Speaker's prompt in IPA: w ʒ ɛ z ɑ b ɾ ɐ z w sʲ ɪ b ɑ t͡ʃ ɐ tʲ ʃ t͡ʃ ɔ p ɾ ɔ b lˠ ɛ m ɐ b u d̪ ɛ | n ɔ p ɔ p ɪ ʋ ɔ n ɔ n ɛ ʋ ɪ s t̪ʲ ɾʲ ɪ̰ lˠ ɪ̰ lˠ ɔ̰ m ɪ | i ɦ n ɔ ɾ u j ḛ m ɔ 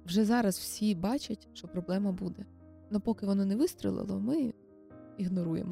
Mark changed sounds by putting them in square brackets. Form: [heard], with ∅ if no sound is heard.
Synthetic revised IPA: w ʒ ɛ z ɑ [∅] ɾ ɐ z w sʲ [i] b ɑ t͡ʃ ɐ tʲ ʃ t͡ʃ ɔ p ɾ ɔ b lˠ ɛ m ɐ b u d̪ ɛ | n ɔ p ɔ [k] ɪ ʋ ɔ n ɔ n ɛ ʋ ɪ s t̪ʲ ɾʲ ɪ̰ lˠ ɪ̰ lˠ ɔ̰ m ɪ | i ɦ n ɔ ɾ u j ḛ m ɔ